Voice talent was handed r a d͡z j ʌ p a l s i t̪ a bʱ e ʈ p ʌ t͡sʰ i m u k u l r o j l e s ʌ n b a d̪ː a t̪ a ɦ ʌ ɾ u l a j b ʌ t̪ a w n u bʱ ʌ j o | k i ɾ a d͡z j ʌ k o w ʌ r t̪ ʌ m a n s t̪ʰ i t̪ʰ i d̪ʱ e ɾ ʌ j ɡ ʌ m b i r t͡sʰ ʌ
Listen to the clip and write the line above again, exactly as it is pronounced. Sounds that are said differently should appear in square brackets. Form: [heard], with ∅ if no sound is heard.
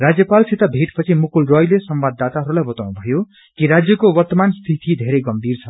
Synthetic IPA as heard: r a d͡z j ʌ p a l s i t̪ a bʱ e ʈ p ʌ t͡sʰ i m u k u l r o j l e s ʌ [m] b a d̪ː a t̪ a ɦ ʌ ɾ u l a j b ʌ t̪ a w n u bʱ ʌ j o | k i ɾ a d͡z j ʌ k o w ʌ r t̪ ʌ m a n s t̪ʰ i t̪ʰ i d̪ʱ e ɾ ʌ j ɡ ʌ m b i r t͡sʰ ʌ